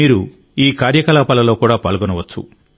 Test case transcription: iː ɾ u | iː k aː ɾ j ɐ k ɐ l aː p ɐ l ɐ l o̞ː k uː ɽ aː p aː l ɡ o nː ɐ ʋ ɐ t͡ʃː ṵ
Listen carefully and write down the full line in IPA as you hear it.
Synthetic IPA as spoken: iː ɾ u | iː k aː ɾ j ɐ k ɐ l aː p ɐ l ɐ l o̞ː k uː ɽ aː p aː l ɡ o n ɐ ʋ ɐ t͡ʃː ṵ